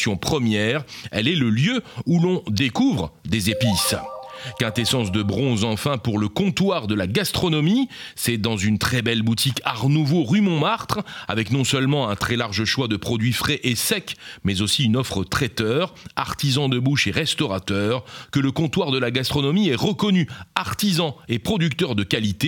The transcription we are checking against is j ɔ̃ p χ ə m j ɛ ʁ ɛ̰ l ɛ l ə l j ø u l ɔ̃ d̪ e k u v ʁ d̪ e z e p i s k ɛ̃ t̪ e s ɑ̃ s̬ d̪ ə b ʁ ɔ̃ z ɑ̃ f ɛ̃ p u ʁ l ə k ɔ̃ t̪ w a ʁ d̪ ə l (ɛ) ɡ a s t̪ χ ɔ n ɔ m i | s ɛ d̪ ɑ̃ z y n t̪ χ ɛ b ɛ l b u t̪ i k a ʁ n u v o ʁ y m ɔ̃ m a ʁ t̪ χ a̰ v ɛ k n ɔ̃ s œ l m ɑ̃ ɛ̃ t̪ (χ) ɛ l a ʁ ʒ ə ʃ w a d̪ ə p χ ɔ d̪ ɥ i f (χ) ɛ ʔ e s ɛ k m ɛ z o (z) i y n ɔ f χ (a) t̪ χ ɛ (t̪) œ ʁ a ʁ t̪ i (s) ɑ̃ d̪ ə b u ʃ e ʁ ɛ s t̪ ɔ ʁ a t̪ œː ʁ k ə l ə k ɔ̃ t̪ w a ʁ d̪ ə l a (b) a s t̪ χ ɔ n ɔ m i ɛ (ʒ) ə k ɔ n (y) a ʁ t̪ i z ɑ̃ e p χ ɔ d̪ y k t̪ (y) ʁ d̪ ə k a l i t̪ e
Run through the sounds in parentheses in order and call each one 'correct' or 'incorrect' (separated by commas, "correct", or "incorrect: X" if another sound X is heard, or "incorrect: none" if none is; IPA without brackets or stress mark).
incorrect: a, correct, correct, incorrect: s, incorrect: ə, correct, incorrect: z, incorrect: ɡ, incorrect: ʁ, correct, incorrect: œ